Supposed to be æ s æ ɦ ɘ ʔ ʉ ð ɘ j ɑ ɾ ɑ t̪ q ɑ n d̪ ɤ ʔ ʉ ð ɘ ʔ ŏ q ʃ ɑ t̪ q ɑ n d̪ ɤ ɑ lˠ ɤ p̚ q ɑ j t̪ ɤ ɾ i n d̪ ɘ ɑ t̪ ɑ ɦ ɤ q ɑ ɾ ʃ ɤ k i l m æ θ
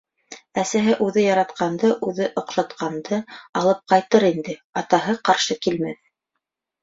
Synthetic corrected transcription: æ s æ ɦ ɘ ʔ ʉ ð ɘ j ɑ ɾ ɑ t̪ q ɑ n d̪ ɤ ʔ ʉ ð ɘ ʔ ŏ q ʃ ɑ t̪ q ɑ n d̪ ɤ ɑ lˠ ɤ p̚ q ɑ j t̪ ɤ ɾ i n d̪ ɘ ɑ t̪ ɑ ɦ ɤ q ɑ ɾ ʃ ɤ k i l m æ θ

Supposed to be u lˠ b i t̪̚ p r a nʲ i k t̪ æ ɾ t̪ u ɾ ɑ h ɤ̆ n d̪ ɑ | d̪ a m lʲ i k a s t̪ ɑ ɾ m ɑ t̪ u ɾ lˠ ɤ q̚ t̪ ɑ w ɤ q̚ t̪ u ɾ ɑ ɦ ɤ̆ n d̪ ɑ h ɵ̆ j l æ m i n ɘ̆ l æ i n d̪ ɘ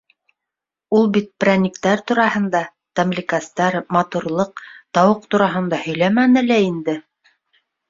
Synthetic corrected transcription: u lˠ b i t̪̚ p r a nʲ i k t̪ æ ɾ t̪ u ɾ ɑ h ɤ̆ n d̪ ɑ | t̪ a m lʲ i k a s t̪ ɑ ɾ m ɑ t̪ u ɾ lˠ ɤ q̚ t̪ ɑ w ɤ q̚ t̪ u ɾ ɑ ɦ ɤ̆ n d̪ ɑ h ɵ̆ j l æ m æ n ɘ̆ l æ i n d̪ ɘ

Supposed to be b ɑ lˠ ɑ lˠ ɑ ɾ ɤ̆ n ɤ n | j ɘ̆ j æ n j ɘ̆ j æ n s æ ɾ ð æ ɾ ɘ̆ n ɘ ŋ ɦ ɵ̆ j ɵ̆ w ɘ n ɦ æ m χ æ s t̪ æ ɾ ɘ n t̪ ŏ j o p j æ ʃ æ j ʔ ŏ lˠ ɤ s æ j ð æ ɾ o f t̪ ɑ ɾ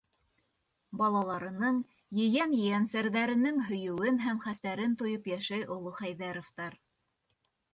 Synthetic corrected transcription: b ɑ lˠ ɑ lˠ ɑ ɾ ɤ̆ n ɤ ɴ | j ɘ̆ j æ n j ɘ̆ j æ n s æ ɾ ð æ ɾ ɘ̆ n ɘ ŋ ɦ ɵ̆ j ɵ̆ w ɘ n ɦ æ m χ æ s t̪ æ ɾ ɘ n t̪ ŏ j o p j æ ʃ æ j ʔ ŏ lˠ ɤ χ æ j ð æ ɾ o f t̪ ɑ ɾ

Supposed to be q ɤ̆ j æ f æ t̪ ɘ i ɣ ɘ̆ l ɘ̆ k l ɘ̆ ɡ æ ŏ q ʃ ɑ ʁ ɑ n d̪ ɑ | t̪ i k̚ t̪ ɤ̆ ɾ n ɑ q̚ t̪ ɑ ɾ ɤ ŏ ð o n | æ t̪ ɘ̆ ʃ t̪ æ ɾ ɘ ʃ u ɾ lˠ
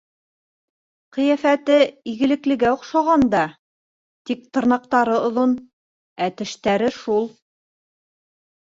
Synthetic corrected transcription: q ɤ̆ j æ f æ t̪ ɘ i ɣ ɘ̆ l ɘ̆ k l ɘ̆ ɡ æ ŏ q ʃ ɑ ʁ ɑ n d̪ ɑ | t̪ i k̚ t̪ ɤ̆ ɾ n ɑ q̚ t̪ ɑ ɾ ɤ ŏ ð o n | æ t̪ ɘ̆ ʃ t̪ æ ɾ ɘ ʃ u lˠ

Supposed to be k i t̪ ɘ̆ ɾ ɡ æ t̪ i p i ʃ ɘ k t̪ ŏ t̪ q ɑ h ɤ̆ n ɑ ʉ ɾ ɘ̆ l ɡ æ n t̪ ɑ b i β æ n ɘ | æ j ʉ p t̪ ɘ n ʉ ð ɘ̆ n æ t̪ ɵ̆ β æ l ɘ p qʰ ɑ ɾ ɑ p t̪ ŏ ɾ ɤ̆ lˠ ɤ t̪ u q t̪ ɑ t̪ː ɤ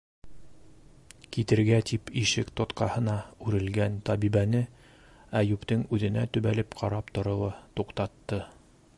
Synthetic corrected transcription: k i t̪ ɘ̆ ɾ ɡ æ t̪ i p i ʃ ɘ k t̪ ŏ t̪ q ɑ h ɤ̆ n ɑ ʉ ɾ ɘ̆ l ɡ æ n t̪ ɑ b i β æ n ɘ | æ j ʉ p t̪ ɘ ŋ ʉ ð ɘ̆ n æ t̪ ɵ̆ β æ l ɘ p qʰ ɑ ɾ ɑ p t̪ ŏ ɾ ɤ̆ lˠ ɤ t̪ u q t̪ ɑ t̪ː ɤ

